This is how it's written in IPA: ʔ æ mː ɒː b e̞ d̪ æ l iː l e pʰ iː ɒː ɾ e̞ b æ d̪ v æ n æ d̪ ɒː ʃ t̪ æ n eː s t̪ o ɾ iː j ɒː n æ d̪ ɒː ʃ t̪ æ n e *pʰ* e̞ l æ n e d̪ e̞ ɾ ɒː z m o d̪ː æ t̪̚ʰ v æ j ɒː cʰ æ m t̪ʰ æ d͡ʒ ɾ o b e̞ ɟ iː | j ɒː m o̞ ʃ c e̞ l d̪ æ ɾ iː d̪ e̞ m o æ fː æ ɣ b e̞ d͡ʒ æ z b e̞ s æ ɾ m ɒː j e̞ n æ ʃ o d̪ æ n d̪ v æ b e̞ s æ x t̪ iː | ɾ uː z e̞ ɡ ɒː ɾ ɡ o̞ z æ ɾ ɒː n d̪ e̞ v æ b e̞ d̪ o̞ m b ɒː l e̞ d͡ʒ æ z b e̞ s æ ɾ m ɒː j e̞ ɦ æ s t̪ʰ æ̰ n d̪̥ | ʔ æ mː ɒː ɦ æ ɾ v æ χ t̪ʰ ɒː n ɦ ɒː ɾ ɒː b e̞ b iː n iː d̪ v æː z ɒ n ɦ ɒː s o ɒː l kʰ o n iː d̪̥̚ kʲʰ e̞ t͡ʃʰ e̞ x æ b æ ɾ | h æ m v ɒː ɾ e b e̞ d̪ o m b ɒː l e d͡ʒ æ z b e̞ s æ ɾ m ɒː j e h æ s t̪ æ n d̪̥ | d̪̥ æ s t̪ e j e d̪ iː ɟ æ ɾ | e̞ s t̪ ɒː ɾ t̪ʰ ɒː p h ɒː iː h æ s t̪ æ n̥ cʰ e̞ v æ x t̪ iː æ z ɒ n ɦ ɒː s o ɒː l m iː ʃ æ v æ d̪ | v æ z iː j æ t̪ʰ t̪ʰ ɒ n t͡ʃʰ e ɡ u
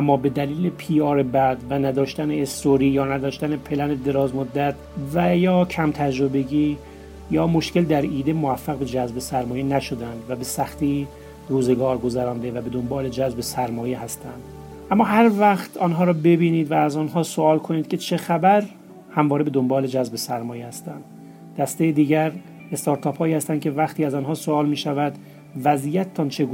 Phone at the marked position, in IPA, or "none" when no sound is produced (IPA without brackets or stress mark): pʰ